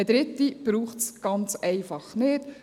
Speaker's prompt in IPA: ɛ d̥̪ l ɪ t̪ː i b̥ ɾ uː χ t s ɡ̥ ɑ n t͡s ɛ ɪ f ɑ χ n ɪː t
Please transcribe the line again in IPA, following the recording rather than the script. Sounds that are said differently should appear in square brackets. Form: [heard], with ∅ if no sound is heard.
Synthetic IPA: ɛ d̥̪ [ɾ] ɪ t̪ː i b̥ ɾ uː χ t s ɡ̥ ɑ n t͡s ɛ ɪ f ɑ χ n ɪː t